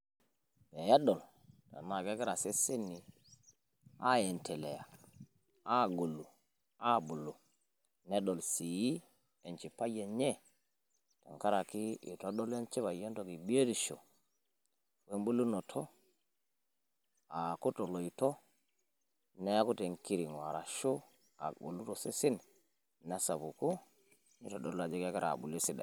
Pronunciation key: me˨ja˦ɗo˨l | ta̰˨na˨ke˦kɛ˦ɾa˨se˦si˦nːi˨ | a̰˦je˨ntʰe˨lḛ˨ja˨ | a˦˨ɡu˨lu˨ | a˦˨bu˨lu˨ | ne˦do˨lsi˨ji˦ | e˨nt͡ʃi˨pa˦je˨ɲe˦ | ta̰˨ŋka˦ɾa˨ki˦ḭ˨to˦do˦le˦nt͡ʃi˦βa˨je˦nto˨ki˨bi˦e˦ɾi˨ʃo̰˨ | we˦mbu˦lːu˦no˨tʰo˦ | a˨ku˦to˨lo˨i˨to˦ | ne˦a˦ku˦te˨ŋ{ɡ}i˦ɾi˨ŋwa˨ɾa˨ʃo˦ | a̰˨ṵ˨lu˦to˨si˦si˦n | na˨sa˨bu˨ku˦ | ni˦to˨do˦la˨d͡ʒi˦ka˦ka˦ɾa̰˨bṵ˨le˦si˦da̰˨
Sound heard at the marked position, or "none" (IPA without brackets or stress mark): k